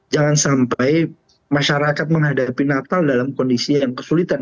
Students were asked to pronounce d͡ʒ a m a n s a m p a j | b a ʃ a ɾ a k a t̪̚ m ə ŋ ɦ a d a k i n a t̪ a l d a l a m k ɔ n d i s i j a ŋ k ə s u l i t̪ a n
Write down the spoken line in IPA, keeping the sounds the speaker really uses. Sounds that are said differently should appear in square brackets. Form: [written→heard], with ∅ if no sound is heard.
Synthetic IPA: d͡ʒ a [m→ŋ] a n s a m p a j | [b→m] a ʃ a ɾ a k a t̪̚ m ə ŋ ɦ a d a [k→p] i n a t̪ a l d a l a m k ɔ n d i s i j a ŋ k ə s u l i t̪ a n